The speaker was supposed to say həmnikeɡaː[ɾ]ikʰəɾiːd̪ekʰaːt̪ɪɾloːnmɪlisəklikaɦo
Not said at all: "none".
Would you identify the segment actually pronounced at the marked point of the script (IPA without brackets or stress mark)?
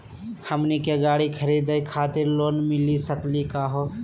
ɽ